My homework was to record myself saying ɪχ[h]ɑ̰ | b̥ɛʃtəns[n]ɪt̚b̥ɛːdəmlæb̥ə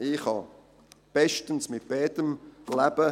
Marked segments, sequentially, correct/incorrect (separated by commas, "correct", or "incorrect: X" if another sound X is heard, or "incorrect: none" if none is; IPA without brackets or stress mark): correct, incorrect: m